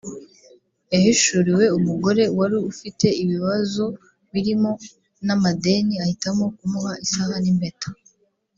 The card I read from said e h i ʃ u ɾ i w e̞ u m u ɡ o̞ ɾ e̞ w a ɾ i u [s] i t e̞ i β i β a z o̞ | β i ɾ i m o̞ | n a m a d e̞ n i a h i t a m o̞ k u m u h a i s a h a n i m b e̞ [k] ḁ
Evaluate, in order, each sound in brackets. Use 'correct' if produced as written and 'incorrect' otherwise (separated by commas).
incorrect, incorrect